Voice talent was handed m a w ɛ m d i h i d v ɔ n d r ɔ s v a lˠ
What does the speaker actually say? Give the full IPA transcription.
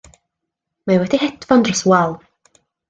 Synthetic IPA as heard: m a w ɛ d i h ɛ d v ɔ n d r ɔ s w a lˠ